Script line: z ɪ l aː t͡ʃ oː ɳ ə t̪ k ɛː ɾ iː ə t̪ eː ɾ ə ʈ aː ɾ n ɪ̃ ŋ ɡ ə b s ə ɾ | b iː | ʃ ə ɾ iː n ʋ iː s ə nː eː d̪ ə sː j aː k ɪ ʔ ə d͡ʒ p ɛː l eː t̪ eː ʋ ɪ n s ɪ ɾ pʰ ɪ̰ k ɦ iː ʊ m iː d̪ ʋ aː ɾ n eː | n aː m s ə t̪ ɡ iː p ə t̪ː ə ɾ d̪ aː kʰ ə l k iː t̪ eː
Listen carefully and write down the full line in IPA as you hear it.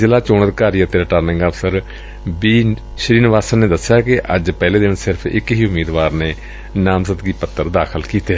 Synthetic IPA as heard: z ɪ l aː t͡ʃ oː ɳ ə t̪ k aː ɾ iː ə t̪ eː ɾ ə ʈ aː ɾ n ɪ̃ ŋ ɡ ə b s ə ɾ | b iː | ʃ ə ɾ iː n ʋ aː s ə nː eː d̪ ə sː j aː k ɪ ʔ ə d͡ʒ p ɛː l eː d̪ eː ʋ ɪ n s ɪ ɾ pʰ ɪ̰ k ɦ iː ʊ m iː d̪ ʋ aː ɾ n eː | n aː m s ə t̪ ɡ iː p ə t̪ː ə ɾ d̪ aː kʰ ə l k iː t̪ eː

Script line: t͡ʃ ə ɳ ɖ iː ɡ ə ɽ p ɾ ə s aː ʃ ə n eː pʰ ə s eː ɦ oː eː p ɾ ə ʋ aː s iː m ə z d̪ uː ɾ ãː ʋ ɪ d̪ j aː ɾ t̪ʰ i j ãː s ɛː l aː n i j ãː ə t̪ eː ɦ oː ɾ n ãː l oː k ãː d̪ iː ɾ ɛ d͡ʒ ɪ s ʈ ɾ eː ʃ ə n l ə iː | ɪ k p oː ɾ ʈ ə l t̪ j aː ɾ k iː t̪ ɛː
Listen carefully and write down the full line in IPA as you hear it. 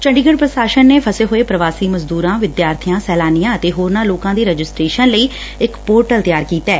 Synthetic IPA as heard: t͡ʃ ə ɳ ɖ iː ɡ ə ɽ p ɾ ə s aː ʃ ə nː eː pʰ ə s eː ɦ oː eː p ɾ ə ʋ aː s iː m ə z d̪ uː ɾ ãː ʋ ɪ d̪ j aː ɾ t̪ʰ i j ãː s ɛː l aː n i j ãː ə t̪ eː ɦ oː ɾ n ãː l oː k ãː d̪ iː ɾ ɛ d͡ʒ ɪ s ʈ ɾ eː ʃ ə n l ə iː | ɪ k p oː ɾ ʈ ə l t̪ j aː ɾ k iː t̪ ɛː

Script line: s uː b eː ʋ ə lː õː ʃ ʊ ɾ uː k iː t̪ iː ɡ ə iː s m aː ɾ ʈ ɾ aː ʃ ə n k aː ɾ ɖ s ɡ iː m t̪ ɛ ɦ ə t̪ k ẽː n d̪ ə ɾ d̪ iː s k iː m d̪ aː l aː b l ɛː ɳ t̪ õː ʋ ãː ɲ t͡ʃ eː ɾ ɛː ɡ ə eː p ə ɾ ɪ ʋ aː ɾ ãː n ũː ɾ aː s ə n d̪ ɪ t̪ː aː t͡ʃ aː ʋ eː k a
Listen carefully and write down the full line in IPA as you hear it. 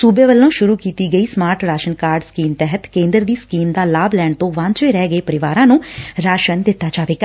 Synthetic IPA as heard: s uː b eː ʋ ə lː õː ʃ ʊ ɾ uː k iː t̪ iː ɡ ə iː s m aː ɾ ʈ ɾ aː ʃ ə n k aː ɾ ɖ s k iː m t̪ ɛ ɦ ə t̪ k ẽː n d̪ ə ɾ d̪ iː s k iː m d̪ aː l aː b l ɛː ɳ t̪ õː ʋ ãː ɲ t͡ʃ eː ɾ ɛː ɡ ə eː p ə ɾ ɪ ʋ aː ɾ ãː n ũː ɾ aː ʃ ə n d̪ ɪ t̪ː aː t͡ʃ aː ʋ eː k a

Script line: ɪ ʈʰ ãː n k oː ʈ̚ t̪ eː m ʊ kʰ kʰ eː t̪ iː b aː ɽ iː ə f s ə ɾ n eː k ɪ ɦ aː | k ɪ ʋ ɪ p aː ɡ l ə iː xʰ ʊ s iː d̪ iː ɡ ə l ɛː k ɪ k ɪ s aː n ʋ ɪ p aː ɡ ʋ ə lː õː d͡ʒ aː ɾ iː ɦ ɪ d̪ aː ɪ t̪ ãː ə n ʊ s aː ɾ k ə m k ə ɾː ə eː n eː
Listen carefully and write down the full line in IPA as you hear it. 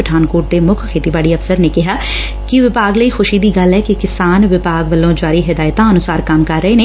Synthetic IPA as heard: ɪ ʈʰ aː n k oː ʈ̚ d̪ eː m ʊ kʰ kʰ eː t̪ iː b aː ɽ iː ə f s ə ɾ n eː k ɪ ɦ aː | k ɪ ʋ ɪ p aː ɡ l ə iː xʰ ʊ ʃ iː d̪ iː ɡ ə l ɛː k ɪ k ɪ s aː n ʋ ɪ p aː ɡ ʋ ə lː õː d͡ʒ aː ɾ iː ɦ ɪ d̪ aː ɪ t̪ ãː ə n ʊ s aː ɾ k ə m k ə ɾː ə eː n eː

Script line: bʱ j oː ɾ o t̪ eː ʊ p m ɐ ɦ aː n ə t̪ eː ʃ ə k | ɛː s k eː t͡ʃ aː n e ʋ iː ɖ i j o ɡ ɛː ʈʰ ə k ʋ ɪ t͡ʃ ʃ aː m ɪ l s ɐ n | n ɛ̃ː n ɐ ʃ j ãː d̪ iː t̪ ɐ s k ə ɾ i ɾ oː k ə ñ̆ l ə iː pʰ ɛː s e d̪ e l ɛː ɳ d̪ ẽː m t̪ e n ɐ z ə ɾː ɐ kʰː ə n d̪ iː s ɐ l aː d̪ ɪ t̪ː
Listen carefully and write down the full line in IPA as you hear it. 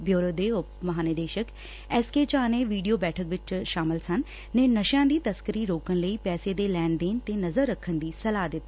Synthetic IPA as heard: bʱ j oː ɾ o d̪ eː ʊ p m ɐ ɦ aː n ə d̪ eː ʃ ə k | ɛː s k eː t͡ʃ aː n e ʋ iː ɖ i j o b ɛː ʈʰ ə k ʋ ɪ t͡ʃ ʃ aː m ɪ l s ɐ n | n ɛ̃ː n ɐ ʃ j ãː d̪ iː t̪ ɐ s k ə ɾ i ɾ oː k ə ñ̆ l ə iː p ɛː s e d̪ e l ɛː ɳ d̪ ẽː n t̪ e n ɐ z ə ɾː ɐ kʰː ə n d̪ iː s ɐ l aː d̪ ɪ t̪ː

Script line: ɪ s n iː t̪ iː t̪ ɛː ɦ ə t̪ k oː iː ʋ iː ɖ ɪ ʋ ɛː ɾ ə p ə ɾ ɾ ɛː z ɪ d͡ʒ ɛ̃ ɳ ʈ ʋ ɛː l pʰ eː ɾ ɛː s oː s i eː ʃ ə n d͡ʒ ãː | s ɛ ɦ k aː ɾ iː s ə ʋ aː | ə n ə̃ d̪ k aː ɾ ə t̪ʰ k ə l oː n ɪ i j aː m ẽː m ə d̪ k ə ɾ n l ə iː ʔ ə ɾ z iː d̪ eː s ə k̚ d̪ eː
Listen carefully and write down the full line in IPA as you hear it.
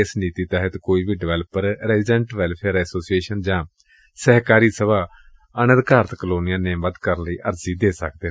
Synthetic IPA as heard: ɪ s n iː t̪ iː t̪ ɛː ɦ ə t̪ k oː iː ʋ iː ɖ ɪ ʋ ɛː l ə p ə ɾ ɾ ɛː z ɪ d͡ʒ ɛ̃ ɳ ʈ ʋ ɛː l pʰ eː ɾ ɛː s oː s i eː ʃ ə n d͡ʒ ãː | s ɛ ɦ k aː ɾ iː s ə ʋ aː | ə n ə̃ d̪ k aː ɾ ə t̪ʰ k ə l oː n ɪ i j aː n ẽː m ə d̪ k ə ɾ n l ə iː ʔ ə ɾ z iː d̪ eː s ə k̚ d̪ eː

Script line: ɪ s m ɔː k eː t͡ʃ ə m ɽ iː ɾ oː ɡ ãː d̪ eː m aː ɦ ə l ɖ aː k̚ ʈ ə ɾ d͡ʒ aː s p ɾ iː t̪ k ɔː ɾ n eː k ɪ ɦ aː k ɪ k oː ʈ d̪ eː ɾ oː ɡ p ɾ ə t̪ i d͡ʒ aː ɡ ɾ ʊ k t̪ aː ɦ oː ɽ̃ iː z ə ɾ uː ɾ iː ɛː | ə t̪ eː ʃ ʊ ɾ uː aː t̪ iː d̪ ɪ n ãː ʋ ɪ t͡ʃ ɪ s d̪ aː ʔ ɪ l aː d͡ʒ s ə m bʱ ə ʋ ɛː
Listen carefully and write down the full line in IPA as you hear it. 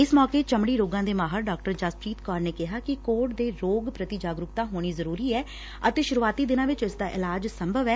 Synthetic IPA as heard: ɪ s m ɔː k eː t͡ʃ ə m ɽ iː ɾ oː ɡ ãː d̪ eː m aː ɦ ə ɾ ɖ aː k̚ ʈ ə ɾ d͡ʒ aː s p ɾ iː t̪ k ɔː ɾ n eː k ɪ ɦ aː k ɪ k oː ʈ d̪ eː ɾ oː ɡ p ɾ ə t̪ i d͡ʒ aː ɡ ɾ ʊ k t̪ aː ɦ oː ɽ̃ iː z ə ɾ uː ɾ iː ɛː | ə t̪ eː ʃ ʊ ɾ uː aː t̪ iː d̪ ɪ n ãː ʋ ɪ t͡ʃ ɪ s d̪ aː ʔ ɪ l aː d͡ʒ s ə m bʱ ə ʋ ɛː

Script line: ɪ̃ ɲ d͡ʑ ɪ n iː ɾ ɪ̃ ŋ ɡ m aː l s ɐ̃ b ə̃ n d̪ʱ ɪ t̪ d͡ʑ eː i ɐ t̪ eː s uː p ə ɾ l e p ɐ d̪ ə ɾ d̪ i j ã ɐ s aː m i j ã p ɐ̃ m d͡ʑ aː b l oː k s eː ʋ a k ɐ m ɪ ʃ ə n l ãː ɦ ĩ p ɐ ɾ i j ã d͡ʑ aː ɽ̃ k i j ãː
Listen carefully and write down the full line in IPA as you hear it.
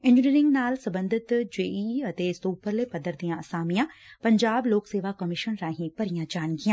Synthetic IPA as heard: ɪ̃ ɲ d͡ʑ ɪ n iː ɾ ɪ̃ ŋ ɡ n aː l s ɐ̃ b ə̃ n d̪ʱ ɪ t̪ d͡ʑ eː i ɐ t̪ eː s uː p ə ɾ l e p ɐ d̪ ə ɾ d̪ i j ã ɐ s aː m i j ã p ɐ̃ ɲ d͡ʑ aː b l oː k s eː ʋ a k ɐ m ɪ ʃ ə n ɾ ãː ɦ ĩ p ɐ ɾ i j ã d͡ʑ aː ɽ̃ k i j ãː

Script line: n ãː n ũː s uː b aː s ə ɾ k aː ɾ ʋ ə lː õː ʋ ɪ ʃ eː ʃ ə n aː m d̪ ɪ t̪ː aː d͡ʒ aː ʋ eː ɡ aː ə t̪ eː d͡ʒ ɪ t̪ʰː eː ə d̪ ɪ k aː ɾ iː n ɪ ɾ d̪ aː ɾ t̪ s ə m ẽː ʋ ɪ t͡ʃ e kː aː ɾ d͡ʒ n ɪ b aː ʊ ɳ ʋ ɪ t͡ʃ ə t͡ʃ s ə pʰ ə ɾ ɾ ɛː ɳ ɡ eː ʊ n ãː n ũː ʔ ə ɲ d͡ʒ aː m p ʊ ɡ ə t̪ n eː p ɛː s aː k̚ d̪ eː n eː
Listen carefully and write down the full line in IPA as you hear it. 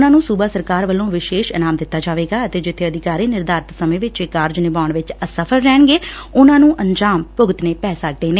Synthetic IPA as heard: n ãː n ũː s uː b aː s ə ɾ k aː ɾ ʋ ə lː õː ʋ ɪ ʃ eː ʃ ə n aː m d̪ ɪ t̪ː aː d͡ʒ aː ʋ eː ɡ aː ə t̪ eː d͡ʒ ɪ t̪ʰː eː ə d̪ ɪ k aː ɾ iː n ɪ ɾ d̪ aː ɾ t̪ s ə m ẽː ʋ ɪ t͡ʃ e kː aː ɾ d͡ʒ n ɪ b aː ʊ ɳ ʋ ɪ t͡ʃ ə s ə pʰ ə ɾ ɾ ɛː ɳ ɡ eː ʊ n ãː n ũː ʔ ə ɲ d͡ʒ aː m p ʊ ɡ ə t̪ n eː p ɛː s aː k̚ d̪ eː n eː

